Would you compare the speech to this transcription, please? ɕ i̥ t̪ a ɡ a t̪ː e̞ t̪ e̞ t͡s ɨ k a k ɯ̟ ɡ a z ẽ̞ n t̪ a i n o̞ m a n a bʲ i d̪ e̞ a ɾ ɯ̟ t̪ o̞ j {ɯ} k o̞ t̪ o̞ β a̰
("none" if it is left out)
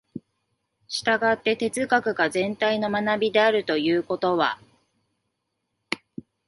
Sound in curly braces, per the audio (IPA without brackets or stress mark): ɯː